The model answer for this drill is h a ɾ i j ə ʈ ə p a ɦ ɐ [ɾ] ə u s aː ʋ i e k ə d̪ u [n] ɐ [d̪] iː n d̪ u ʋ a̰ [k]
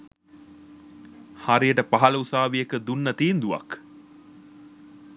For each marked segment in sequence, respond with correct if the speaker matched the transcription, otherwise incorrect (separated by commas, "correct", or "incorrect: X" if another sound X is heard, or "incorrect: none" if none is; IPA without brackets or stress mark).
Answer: incorrect: l, incorrect: nː, incorrect: t̪, correct